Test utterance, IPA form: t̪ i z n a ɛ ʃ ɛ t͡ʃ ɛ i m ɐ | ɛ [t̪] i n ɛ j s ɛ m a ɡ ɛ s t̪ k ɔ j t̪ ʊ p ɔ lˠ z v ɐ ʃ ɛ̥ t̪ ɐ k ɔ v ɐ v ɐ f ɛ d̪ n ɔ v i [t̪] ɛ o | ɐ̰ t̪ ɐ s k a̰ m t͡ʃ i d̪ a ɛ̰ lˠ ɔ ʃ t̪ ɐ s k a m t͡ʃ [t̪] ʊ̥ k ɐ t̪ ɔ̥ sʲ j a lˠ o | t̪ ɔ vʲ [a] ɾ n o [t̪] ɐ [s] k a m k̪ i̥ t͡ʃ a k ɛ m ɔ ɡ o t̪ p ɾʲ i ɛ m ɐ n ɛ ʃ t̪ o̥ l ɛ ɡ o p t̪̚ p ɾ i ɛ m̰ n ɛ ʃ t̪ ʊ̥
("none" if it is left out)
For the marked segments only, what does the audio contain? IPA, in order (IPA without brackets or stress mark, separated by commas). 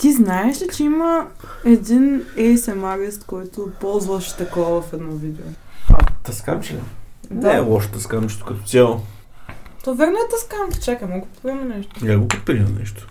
d̪, d̪, t̪, ɛ, t̪, s